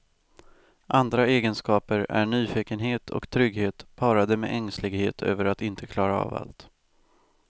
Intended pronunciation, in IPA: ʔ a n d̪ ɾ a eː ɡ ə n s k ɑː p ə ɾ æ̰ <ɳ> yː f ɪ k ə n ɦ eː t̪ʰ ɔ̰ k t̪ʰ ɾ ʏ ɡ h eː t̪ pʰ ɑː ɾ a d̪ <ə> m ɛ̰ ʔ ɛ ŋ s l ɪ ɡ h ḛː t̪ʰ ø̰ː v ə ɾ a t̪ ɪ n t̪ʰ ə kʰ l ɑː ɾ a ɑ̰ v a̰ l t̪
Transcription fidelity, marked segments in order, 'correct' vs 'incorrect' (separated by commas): correct, correct